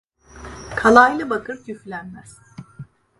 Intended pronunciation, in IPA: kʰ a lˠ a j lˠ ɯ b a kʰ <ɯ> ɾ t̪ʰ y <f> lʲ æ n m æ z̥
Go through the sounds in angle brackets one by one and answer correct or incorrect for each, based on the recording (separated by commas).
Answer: correct, correct